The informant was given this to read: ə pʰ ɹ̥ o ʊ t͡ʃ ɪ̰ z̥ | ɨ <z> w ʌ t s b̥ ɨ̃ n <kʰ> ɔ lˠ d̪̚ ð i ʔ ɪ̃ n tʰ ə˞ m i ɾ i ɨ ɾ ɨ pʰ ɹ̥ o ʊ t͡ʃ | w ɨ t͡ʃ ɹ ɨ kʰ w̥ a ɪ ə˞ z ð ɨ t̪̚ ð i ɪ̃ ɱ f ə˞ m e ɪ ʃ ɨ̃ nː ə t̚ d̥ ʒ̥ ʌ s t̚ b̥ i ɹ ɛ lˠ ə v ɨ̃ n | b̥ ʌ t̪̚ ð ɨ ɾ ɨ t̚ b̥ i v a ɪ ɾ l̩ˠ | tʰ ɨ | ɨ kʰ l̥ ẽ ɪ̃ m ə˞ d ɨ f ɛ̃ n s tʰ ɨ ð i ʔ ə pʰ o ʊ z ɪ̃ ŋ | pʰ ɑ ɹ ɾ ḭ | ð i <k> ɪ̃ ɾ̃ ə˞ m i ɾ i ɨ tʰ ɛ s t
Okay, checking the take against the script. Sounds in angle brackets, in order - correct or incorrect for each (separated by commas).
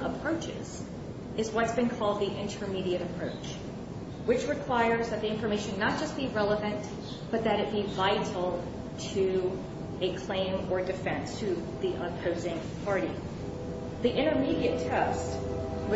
correct, correct, incorrect